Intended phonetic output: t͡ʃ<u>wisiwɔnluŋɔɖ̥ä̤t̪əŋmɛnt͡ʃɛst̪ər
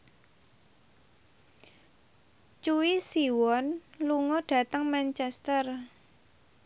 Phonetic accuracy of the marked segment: correct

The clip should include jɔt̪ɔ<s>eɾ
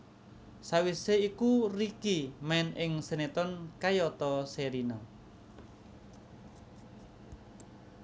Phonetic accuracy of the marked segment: correct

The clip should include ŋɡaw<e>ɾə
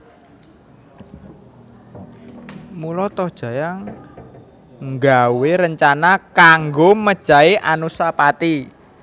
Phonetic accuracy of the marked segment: correct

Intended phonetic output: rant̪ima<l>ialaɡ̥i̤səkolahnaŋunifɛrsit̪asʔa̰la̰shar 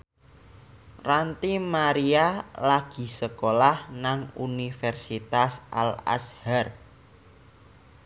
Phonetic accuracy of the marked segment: incorrect: ɾ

